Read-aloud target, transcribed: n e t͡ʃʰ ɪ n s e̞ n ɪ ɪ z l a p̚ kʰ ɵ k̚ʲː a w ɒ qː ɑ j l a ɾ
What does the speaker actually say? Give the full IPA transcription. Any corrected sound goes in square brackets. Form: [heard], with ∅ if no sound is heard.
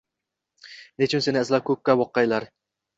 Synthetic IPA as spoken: n e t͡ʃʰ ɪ n s e̞ n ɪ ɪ z l a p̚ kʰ ɵ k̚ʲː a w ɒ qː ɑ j l a ɾ